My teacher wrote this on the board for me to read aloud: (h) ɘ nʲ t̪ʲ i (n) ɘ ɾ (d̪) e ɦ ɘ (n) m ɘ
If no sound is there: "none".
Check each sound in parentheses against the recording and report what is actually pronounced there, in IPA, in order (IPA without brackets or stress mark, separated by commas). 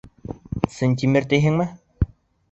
s, m, t̪, ŋ